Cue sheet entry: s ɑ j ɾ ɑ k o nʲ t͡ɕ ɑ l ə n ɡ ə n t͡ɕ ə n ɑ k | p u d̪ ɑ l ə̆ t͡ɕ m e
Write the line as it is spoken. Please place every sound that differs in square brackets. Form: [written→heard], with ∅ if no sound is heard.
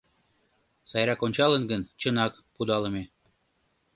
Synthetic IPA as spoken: s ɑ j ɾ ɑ k o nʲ t͡ɕ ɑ l ə n ɡ ə n t͡ɕ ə n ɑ k | p u d̪ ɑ l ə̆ [t͡ɕ→∅] m e